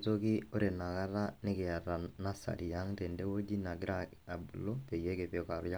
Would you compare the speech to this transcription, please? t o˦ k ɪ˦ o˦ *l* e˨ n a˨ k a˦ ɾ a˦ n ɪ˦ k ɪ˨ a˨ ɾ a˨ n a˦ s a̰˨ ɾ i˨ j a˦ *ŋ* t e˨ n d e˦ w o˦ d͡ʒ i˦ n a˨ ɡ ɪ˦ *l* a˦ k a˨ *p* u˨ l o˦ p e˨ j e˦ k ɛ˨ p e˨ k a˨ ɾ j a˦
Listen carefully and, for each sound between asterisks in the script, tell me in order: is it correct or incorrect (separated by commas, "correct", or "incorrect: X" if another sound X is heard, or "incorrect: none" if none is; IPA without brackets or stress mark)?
incorrect: ɾ, correct, incorrect: ɾ, incorrect: b